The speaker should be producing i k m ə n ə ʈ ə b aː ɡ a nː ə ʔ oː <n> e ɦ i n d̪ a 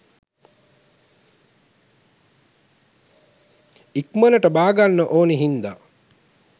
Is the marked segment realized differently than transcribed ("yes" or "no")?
no